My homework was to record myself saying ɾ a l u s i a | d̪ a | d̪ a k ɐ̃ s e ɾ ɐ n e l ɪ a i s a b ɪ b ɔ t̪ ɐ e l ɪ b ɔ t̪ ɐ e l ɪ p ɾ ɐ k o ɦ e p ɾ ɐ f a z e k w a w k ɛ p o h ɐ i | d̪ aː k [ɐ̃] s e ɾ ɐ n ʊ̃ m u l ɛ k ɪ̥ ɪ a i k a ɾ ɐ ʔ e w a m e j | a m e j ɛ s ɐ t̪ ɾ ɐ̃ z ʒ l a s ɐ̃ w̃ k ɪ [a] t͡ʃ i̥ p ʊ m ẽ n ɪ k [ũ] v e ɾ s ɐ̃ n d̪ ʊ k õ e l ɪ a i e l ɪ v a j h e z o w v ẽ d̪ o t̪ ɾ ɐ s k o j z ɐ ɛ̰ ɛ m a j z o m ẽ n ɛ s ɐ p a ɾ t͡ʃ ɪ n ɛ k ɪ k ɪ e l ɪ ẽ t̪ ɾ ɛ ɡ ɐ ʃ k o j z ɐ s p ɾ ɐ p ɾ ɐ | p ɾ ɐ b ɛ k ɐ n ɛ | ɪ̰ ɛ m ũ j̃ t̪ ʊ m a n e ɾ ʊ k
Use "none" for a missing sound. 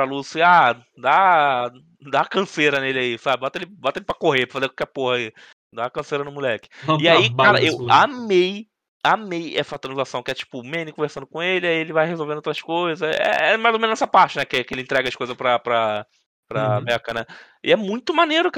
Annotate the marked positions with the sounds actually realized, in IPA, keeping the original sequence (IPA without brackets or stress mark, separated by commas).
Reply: ɐ̃, ɛ, õ